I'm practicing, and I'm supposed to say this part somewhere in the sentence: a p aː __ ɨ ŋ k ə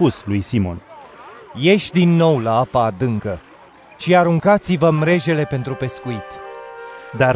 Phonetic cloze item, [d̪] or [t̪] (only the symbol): d̪